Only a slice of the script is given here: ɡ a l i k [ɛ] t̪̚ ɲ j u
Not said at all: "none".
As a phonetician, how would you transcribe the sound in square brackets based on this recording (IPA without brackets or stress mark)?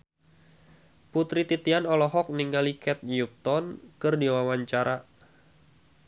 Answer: ɛ